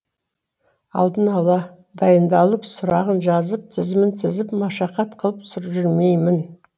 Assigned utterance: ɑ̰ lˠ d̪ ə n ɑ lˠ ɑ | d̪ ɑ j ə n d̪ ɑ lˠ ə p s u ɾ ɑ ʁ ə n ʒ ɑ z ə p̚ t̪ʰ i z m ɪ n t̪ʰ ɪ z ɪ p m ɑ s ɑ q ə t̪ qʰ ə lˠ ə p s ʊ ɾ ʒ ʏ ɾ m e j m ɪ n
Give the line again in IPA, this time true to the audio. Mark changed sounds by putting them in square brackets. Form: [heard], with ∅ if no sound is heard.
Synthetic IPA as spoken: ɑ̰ lˠ d̪ ə n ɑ lˠ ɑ | d̪ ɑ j ə n d̪ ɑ lˠ ə p s [ʊ] ɾ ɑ ʁ ə n ʒ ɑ z ə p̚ t̪ʰ [ɪ] z m ɪ n t̪ʰ ɪ z ɪ p m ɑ [ʃ] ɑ q [ɑ] t̪ qʰ ə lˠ ə p s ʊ ɾ ʒ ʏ ɾ m e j m ɪ n